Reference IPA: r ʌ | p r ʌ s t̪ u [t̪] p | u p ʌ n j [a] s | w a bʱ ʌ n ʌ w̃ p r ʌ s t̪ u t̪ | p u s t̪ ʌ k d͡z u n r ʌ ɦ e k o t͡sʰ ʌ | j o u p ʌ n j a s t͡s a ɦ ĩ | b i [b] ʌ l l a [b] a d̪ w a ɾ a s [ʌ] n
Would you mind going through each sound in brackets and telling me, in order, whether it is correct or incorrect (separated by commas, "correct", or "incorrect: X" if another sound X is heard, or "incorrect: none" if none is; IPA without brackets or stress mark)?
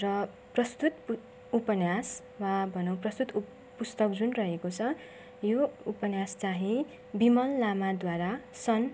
correct, correct, incorrect: m, incorrect: m, correct